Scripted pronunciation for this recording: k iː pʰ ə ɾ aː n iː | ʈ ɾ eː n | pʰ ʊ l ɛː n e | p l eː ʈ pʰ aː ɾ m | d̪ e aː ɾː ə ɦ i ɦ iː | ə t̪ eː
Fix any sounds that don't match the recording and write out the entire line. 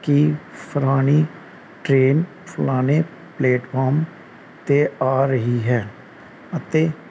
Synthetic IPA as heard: k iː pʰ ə ɾ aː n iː | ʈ ɾ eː n | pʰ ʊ l aː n e | p l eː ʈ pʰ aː ɾ m | t̪ e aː ɾ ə ɦ i ɦ ɛː | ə t̪ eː